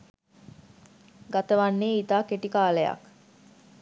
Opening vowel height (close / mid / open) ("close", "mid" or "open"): open